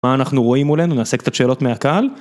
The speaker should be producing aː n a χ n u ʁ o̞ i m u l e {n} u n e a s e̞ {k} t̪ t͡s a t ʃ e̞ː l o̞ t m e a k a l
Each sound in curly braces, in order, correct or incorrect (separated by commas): correct, correct